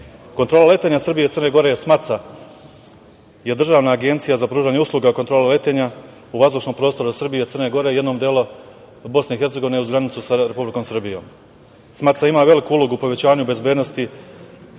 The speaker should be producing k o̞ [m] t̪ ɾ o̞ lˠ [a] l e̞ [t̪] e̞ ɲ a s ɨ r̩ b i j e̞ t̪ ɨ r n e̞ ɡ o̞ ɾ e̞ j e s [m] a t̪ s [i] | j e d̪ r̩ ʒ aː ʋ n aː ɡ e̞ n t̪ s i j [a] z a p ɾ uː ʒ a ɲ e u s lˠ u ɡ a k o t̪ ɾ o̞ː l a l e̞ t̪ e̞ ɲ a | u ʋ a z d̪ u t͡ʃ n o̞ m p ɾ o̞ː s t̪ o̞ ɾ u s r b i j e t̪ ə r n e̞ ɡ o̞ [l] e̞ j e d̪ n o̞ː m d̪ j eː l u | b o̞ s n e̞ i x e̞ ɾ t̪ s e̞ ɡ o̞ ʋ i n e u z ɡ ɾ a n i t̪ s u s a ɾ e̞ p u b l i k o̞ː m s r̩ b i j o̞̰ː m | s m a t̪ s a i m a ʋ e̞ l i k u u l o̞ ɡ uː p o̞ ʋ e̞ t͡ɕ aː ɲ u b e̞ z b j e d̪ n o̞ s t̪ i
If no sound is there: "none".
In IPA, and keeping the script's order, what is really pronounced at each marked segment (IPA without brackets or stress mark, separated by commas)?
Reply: n, a, t̪, m, a, a, ɾ